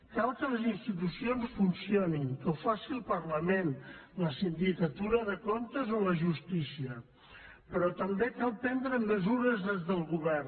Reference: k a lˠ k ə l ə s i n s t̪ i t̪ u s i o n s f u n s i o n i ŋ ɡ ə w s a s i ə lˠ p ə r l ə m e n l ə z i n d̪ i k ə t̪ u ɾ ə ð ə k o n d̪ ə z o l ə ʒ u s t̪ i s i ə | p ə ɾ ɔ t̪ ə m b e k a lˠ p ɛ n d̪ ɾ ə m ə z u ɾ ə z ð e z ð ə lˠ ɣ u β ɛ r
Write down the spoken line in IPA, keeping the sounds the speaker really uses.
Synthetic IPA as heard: k a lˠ k ə l ə z i n s t̪ i t̪ u s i o n s f u n s i o n i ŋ k ə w f a s i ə lˠ p ə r l ə m e n l ə s i n d̪ i k ə t̪ u ɾ ə ð ə k o n t̪ ə z o l ə ʒ u s t̪ i s i ə | p ə ɾ ɔ t̪ ə m b e k a lˠ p ɛ n d̪ ɾ ə m ə z u ɾ ə z ð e z ð ə lˠ ɣ u β ɛ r